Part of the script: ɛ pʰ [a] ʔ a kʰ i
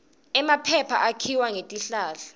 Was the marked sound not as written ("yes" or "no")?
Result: no